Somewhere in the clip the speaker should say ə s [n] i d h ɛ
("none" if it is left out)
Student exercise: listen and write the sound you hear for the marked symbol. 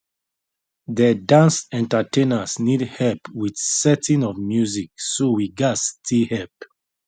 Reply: n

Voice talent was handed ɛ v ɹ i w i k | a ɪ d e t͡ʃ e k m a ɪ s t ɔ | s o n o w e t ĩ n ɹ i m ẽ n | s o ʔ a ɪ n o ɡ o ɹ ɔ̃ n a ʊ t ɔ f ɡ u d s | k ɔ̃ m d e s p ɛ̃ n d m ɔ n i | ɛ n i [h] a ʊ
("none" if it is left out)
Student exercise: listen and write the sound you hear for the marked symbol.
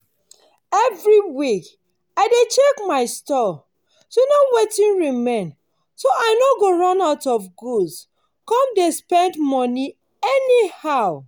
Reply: h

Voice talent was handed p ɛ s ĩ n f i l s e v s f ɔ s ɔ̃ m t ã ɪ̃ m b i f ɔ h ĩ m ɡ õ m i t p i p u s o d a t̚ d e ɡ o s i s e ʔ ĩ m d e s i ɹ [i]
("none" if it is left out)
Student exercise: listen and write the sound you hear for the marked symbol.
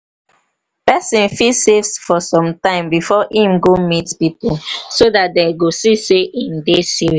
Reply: i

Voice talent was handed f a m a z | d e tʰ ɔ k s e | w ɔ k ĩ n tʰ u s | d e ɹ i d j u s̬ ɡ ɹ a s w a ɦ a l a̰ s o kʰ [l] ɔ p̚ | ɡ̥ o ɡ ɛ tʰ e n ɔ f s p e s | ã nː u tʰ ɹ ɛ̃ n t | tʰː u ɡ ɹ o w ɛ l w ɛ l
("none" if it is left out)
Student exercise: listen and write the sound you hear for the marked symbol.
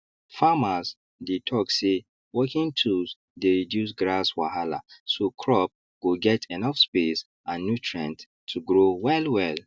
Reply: ɹ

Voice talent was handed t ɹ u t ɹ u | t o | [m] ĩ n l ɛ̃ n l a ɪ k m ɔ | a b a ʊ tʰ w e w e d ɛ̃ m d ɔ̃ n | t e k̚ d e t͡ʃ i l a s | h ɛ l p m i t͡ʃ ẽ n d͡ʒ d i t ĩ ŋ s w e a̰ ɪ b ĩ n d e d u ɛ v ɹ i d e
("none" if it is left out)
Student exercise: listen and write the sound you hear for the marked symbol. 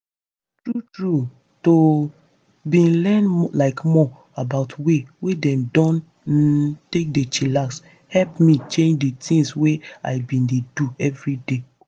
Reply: b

